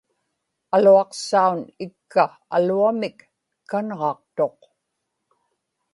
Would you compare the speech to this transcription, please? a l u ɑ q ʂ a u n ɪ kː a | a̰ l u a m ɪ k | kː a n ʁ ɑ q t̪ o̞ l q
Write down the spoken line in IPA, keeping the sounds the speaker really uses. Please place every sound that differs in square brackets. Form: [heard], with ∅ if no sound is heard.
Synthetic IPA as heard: a l u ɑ q [s] a u n ɪ kː a | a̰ l u a m ɪ k | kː a n ʁ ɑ q t̪ o̞ [∅] q